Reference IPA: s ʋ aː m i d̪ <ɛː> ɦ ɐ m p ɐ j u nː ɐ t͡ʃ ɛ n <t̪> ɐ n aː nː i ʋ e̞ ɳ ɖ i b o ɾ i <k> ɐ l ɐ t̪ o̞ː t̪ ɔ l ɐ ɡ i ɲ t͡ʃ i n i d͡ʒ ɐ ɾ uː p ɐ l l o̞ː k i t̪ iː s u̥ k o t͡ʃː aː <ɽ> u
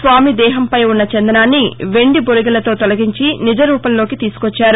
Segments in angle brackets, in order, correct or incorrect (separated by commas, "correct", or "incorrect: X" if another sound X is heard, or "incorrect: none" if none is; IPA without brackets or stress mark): correct, incorrect: d̪, incorrect: ɡ, incorrect: ɾ